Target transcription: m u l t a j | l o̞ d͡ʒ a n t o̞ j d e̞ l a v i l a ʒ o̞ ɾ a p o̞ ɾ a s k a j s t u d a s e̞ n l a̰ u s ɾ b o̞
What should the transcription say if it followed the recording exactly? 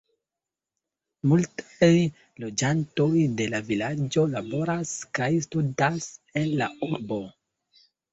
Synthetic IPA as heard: m u l t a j | l o̞ d͡ʒ a n t o̞ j d e̞ l a v i l a d͡ʒ o̞ l a b o̞ ɾ a s k a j s t u d a s e̞ n l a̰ u ɾ b o̞

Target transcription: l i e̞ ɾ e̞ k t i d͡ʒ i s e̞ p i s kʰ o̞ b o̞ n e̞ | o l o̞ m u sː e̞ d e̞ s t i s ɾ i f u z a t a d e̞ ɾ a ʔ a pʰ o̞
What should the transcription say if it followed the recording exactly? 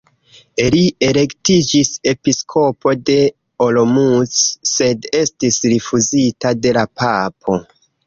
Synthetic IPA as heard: l i e̞ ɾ e̞ k t i d͡ʒ i s e̞ p i s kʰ o̞ p o̞ d e̞ | o l o̞ m u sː e̞ d e̞ s t i s ɾ i f u z i t a d e̞ l a p a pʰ o̞

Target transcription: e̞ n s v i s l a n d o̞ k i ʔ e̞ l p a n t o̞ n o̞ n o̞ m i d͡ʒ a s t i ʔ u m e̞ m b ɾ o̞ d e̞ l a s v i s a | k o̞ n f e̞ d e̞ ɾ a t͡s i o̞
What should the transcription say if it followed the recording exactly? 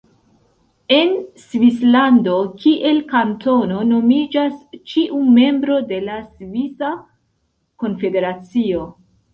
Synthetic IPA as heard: e̞ n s v i s l a n d o̞ k i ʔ e̞ l k a n t o̞ n o̞ n o̞ m i d͡ʒ a s t͡ʃ i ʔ u m e̞ m b ɾ o̞ d e̞ l a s v i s a | k o̞ n f e̞ d e̞ ɾ a t͡s i o̞

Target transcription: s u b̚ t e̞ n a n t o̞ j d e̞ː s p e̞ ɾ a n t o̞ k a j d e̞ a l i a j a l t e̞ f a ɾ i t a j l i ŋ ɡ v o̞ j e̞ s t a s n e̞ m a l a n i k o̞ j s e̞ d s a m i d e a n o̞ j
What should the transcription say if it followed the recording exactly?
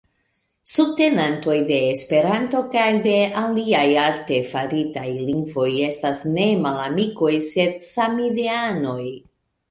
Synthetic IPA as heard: s u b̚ t e̞ n a n t o̞ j d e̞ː s p e̞ ɾ a n t o̞ k a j d e̞ a l i a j a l t e̞ f a ɾ i t a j l i ŋ ɡ v o̞ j e̞ s t a s n e̞ m a l a m i k o̞ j s e̞ d s a m i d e a n o̞ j

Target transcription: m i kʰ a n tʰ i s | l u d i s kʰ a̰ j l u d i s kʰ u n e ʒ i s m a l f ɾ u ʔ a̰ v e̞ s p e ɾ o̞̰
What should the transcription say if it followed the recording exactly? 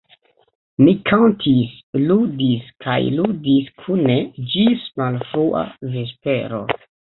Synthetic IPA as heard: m i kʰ a n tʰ i s | l u d i s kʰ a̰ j l u d i s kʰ u n e d͡ʒ i s m a l f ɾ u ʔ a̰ v e̞ s p e ɾ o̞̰

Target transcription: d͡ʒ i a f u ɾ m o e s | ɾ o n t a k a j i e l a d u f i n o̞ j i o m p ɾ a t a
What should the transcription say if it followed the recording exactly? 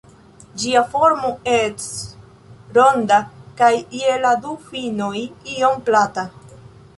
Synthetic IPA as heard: d͡ʒ i a f o ɾ m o e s | ɾ o n d a k a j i e l a d u f i n o̞ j i o m p l a t a

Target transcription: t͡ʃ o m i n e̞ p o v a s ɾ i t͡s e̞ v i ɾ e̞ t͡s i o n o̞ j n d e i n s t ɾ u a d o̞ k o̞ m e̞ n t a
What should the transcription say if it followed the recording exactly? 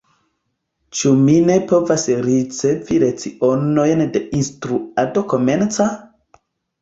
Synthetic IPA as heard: t͡ʃ u m i n e̞ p o v a s ɾ i t͡s e̞ v i ɾ e̞ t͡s i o n o̞ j n d e i n s t ɾ u a d o̞ k o̞ m e̞ n t͡s a

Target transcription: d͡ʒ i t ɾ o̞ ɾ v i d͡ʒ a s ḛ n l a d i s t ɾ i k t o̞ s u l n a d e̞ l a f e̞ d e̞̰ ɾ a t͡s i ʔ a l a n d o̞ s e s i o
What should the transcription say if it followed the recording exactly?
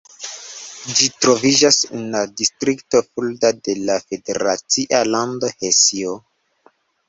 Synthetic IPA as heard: d͡ʒ i t ɾ o̞ v i d͡ʒ a s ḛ n l a d i s t ɾ i k t o̞ f u l d a d e̞ l a f e̞ d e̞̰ ɾ a t͡s i ʔ a l a n d o̞ h e s i o

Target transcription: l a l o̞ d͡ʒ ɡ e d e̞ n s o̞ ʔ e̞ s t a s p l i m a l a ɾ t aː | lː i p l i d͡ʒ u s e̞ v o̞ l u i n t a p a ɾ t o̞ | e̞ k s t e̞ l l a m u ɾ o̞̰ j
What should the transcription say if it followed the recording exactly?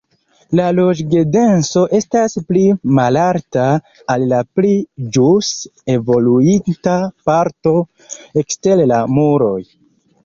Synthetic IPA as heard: l a l o̞ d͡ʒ ɡ e d e̞ n s o̞ ʔ e̞ s t a s p l i m a l a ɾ t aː | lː a p l i d͡ʒ u s e̞ v o̞ l u i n t a p a ɾ t o̞ | e̞ k s t e̞ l l a m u ɾ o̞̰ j

